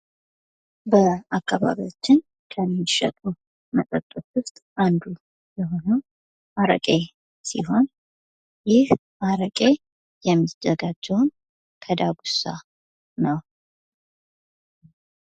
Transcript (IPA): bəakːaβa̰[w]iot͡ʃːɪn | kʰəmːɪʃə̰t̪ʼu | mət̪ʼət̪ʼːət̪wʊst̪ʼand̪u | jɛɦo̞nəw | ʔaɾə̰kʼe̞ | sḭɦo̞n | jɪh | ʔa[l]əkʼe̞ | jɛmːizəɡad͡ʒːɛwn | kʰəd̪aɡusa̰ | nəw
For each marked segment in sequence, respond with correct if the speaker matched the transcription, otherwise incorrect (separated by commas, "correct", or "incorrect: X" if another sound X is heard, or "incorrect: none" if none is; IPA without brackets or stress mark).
incorrect: β, incorrect: ɾ